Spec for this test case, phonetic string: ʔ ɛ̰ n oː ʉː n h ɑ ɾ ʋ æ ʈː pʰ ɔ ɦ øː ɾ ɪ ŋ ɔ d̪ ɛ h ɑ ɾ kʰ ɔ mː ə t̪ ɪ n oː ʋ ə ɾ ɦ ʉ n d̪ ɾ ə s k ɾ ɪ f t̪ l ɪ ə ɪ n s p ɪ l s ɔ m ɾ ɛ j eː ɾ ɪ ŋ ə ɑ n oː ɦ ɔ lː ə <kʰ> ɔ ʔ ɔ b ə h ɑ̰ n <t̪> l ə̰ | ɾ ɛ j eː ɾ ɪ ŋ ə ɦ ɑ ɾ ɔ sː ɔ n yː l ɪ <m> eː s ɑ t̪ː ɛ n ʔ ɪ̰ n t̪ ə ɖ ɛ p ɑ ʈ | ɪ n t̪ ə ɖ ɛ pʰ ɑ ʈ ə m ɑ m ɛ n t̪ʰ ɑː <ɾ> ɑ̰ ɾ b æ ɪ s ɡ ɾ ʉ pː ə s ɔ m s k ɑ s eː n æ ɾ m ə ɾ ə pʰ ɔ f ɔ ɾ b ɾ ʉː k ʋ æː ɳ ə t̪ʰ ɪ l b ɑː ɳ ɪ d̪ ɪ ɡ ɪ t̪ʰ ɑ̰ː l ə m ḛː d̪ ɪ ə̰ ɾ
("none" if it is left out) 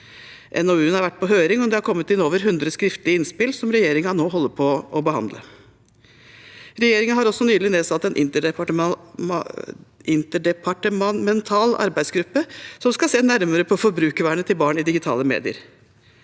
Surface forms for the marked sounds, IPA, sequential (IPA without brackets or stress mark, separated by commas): pʰ, d̪, n, l